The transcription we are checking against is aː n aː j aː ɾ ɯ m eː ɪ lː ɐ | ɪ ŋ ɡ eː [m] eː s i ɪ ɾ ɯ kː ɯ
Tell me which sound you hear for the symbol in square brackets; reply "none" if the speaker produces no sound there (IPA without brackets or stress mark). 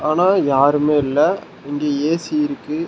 none